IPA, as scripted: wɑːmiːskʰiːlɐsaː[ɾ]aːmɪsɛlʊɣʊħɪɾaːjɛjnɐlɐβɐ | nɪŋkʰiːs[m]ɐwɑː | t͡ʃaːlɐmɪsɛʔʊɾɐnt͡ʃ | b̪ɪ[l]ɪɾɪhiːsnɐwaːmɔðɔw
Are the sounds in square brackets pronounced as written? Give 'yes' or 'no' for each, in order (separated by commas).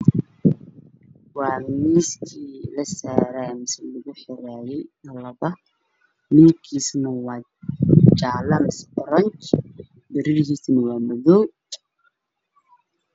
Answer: yes, no, no